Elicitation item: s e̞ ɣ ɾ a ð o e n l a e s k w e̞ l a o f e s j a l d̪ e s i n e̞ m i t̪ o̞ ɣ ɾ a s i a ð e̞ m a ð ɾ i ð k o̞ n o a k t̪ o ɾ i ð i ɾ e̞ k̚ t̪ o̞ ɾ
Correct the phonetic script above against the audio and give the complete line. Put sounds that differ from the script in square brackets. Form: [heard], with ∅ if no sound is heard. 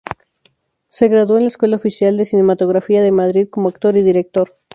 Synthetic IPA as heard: s e̞ ɣ ɾ a ð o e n l a e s k w e̞ l a o f [i] s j a l d̪ e s i n e̞ m [a] t̪ o̞ ɣ ɾ a [f] i a ð e̞ m a ð ɾ i ð k o̞ [m] o a k t̪ o ɾ i ð i ɾ e̞ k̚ t̪ o̞ ɾ